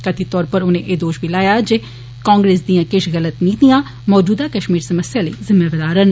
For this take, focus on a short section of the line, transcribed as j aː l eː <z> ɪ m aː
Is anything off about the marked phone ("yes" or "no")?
no